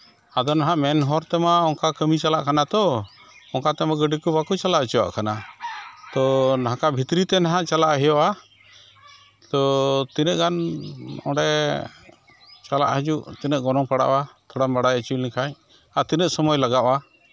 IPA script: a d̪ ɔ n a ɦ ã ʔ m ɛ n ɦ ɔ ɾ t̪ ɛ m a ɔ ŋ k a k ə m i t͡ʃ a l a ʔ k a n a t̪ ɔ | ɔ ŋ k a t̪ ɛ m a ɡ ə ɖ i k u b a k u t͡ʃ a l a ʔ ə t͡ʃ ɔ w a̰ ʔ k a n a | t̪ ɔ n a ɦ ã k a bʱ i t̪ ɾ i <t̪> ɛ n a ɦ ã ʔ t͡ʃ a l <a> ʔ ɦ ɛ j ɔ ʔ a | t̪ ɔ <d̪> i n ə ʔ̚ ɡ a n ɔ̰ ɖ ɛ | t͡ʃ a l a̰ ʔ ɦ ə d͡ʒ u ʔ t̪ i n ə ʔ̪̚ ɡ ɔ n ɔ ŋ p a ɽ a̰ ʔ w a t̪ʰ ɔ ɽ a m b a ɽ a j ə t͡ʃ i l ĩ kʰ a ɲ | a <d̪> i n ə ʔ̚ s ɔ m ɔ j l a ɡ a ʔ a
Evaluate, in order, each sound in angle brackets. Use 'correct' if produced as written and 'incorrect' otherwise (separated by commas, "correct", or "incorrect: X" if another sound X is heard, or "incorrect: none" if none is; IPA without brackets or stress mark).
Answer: correct, correct, incorrect: t̪, incorrect: t̪